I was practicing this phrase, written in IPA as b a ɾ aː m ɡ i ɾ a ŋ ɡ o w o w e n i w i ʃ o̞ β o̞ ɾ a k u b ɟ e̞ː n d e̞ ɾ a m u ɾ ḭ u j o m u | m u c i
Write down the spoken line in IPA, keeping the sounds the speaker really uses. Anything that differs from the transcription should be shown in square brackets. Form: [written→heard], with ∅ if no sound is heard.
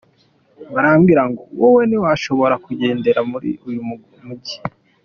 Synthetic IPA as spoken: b a ɾ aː m ɡ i ɾ a ŋ ɡ o w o w e n i w [i→a] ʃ o̞ β o̞ ɾ a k u [b→∅] ɟ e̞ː n d e̞ ɾ a m u ɾ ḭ u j [o→u] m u | m u [c→ɟ] i